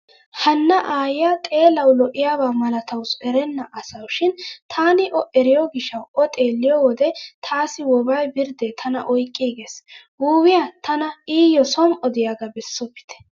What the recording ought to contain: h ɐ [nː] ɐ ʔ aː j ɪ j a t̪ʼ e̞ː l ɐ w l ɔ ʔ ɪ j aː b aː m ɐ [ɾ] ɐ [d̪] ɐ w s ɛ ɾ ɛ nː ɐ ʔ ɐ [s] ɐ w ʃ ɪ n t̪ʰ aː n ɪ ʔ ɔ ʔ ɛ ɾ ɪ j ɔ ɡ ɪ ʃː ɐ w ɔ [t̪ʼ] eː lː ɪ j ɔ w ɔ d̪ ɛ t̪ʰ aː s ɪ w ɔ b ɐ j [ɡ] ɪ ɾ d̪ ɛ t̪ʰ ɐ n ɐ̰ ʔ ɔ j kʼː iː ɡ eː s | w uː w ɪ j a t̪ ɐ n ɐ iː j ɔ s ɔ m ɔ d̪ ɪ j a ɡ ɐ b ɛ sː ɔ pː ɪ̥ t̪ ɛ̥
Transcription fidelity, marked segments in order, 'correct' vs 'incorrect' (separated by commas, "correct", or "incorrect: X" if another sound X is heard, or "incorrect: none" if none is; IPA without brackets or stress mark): correct, incorrect: l, incorrect: t̪, correct, correct, incorrect: b